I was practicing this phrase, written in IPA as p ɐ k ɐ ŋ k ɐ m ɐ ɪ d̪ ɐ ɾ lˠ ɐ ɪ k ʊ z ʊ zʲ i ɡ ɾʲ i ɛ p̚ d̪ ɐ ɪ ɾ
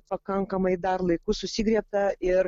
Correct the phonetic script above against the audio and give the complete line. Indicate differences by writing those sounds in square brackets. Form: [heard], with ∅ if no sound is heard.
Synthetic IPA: p ɐ k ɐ ŋ k ɐ m ɐ ɪ d̪ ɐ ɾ lˠ ɐ ɪ k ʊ [s] ʊ [sʲ] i ɡ ɾʲ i ɛ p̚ [t̪] ɐ ɪ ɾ